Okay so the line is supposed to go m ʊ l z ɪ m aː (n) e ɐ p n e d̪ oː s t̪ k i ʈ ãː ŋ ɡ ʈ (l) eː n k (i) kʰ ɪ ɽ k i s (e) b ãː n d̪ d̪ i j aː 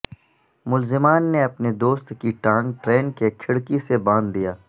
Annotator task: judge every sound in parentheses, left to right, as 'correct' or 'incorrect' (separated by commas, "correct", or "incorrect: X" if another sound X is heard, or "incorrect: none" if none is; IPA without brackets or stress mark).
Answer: incorrect: nː, incorrect: ɾ, incorrect: e, correct